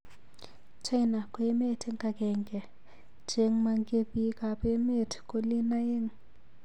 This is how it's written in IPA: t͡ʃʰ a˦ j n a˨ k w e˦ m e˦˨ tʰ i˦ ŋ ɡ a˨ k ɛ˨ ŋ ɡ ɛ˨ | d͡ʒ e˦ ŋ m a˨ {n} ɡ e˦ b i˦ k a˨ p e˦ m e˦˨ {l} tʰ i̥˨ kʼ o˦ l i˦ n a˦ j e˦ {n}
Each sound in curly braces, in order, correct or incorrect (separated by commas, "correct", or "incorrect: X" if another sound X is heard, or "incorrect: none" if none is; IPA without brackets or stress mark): incorrect: ŋ, incorrect: none, incorrect: ŋ